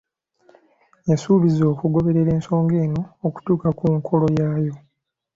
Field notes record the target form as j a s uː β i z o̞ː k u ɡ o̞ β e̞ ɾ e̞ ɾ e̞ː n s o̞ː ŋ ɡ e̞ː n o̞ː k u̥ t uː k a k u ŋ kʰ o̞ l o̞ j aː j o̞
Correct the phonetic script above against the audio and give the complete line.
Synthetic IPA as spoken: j a s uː β i z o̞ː k u ɡ o̞ β e̞ ɾ e̞ ɾ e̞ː n s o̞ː ŋ ɡ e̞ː n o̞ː k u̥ t uː k a k u ŋ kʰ o̞ l o̞ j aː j o̞